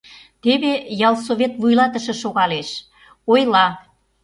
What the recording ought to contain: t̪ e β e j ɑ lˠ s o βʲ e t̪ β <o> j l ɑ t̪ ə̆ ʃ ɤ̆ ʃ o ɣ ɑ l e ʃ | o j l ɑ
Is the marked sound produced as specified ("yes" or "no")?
no